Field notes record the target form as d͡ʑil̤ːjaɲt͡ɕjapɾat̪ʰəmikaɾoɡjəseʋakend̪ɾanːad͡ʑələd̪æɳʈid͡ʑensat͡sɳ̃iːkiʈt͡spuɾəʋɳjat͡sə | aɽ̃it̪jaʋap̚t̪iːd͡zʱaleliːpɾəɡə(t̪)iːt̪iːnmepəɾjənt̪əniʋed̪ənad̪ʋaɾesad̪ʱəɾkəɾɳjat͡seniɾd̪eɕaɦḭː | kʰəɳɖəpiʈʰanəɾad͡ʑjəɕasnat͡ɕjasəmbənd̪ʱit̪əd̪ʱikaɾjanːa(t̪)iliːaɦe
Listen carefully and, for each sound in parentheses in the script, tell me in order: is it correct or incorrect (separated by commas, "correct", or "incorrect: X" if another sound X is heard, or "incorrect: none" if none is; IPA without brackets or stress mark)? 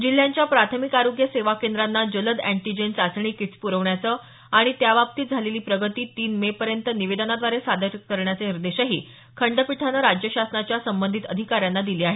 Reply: correct, incorrect: d̪